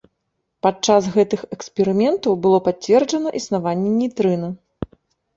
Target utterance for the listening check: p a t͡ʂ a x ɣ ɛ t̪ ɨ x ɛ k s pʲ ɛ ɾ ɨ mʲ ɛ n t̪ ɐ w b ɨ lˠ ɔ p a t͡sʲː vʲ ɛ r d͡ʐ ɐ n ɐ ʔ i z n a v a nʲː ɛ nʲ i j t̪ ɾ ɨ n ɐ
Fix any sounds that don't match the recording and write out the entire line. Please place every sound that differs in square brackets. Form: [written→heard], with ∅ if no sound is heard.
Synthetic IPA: p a t͡ʂ a [x→s] ɣ ɛ t̪ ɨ x ɛ k s pʲ ɛ ɾ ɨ mʲ ɛ n t̪ ɐ w b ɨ lˠ ɔ p a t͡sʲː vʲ ɛ r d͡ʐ ɐ n ɐ ʔ i [z→s] n a v a nʲː ɛ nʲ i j t̪ ɾ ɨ n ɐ